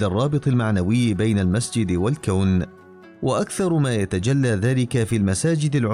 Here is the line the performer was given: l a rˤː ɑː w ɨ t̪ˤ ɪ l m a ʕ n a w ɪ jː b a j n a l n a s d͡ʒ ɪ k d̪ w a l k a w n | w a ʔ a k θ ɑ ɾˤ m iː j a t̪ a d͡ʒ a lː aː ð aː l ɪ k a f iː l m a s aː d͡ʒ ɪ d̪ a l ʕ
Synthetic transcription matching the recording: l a rˤː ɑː b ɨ t̪ˤ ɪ l m a ʕ n a w ɪ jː b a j n a l m a s d͡ʒ ɪ d̪ w a l k a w n | w a ʔ a k θ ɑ ɾˤ m aː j a t̪ a d͡ʒ a lː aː ð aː l ɪ k a f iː l m a s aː d͡ʒ ɪ d̪ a l ʕ